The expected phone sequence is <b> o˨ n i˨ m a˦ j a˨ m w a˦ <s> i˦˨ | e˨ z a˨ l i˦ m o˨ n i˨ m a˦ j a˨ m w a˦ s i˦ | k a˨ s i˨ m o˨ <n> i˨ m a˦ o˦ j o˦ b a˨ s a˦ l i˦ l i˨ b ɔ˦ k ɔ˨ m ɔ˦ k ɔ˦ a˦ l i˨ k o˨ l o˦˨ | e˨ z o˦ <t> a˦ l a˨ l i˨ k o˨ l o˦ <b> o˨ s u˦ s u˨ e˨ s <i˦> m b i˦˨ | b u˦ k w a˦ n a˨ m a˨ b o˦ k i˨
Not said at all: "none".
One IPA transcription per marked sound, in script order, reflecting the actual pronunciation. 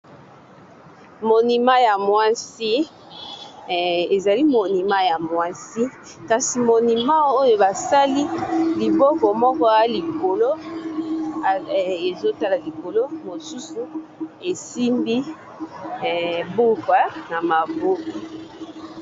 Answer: m, s, n, t, m, i˦

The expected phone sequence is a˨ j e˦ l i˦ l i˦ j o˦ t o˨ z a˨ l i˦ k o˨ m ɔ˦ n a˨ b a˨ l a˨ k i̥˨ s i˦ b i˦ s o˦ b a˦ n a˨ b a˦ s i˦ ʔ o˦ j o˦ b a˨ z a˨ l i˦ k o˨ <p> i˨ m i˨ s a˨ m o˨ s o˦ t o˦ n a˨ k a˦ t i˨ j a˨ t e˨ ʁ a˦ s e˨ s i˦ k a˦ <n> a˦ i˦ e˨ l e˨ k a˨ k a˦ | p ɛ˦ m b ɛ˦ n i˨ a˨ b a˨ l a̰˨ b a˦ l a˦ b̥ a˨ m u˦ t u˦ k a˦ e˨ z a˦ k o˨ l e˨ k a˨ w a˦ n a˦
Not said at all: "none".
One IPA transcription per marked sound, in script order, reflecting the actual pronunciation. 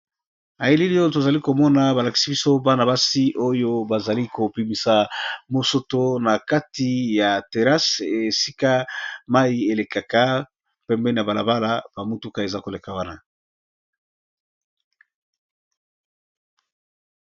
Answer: p, m

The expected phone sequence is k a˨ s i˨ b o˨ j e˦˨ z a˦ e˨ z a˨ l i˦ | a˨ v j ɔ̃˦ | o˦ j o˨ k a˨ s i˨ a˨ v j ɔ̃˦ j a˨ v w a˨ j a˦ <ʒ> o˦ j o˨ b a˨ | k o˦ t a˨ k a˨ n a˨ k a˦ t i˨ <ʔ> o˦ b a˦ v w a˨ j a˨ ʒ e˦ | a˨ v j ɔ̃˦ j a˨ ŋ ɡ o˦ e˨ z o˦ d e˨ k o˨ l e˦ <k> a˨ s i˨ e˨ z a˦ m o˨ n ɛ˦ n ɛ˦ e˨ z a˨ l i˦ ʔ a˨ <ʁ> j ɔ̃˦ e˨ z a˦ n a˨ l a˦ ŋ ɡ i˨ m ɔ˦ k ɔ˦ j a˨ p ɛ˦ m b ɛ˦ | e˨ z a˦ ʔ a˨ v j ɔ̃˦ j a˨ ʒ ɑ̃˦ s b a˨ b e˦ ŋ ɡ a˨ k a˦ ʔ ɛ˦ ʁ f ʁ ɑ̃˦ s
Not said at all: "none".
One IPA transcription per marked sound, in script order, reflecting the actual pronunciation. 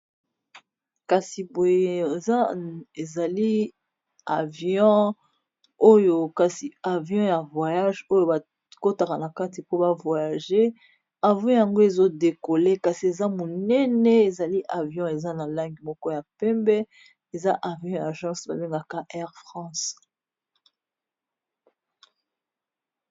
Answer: ʒ, p, k, v

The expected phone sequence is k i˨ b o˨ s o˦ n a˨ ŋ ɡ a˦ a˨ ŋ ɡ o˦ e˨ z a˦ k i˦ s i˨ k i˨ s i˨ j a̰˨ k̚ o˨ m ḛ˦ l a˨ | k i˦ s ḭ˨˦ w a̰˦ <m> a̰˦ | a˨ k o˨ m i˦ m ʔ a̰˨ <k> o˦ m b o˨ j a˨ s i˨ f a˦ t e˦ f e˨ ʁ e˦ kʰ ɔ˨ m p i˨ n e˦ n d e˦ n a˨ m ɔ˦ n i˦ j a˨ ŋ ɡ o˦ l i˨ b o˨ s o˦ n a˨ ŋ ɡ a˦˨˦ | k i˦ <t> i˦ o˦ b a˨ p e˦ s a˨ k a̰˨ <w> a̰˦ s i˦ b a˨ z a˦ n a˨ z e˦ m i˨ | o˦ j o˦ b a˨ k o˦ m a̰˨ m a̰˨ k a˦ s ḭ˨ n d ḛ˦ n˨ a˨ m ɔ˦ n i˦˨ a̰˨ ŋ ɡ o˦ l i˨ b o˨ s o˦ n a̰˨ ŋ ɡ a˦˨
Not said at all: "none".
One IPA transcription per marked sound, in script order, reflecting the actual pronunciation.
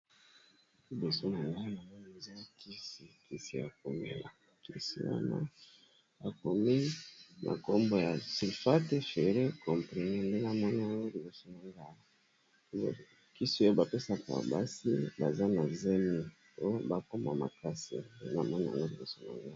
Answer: n, k, s, b

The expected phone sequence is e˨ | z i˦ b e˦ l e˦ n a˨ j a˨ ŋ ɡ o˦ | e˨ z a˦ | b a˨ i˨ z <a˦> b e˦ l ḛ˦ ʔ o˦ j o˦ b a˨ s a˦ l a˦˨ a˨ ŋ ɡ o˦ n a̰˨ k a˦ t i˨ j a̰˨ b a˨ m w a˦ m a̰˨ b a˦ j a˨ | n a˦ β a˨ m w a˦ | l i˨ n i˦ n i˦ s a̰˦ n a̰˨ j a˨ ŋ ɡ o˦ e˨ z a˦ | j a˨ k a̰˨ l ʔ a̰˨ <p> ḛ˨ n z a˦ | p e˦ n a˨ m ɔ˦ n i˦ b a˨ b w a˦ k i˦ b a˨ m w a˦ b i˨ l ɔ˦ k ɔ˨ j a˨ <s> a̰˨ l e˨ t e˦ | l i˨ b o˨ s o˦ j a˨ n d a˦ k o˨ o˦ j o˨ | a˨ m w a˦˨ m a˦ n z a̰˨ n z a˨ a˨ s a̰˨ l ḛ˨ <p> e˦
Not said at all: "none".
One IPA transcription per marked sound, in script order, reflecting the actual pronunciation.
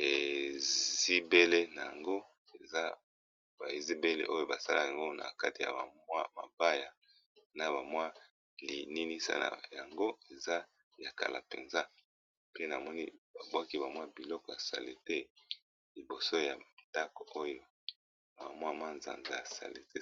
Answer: i˦, p, s, t

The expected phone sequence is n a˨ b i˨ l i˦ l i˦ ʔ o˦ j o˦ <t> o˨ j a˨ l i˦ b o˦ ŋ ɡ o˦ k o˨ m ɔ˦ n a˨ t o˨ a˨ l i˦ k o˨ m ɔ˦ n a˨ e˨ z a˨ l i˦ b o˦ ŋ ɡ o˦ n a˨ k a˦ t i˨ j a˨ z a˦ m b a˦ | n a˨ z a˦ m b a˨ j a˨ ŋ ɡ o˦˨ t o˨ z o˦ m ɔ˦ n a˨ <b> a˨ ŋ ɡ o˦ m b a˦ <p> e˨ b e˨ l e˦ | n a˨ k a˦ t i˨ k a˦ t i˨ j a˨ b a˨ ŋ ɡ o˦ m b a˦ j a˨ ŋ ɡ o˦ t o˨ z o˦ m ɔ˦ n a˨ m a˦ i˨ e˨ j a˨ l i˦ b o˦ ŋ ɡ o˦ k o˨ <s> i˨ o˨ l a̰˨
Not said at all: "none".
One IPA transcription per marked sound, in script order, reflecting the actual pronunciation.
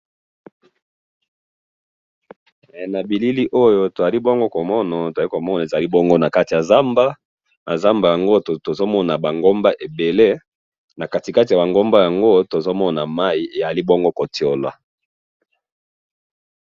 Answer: t, b, ʔ, t

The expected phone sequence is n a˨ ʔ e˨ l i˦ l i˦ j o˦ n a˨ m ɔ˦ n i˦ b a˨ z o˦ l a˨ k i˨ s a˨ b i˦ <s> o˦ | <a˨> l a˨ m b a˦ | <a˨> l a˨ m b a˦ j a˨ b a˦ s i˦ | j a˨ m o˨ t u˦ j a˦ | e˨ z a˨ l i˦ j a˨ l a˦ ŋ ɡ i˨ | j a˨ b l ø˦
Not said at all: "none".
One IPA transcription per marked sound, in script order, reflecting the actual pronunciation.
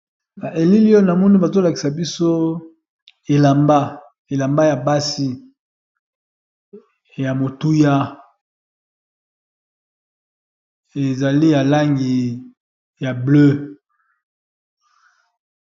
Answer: s, e˨, e˨

